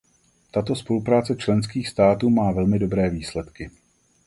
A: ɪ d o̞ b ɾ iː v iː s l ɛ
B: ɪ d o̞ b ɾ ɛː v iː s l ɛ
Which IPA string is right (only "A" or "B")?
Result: B